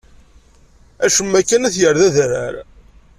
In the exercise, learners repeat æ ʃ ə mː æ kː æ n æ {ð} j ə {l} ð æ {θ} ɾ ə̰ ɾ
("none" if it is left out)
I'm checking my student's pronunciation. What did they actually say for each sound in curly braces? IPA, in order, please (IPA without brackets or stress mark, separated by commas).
θ, ɾ, ð